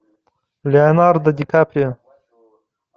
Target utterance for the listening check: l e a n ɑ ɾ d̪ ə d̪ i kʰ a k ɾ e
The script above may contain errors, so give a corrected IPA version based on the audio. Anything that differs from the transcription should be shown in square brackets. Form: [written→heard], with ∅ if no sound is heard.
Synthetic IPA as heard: l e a n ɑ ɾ d̪ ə d̪ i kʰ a [k→p] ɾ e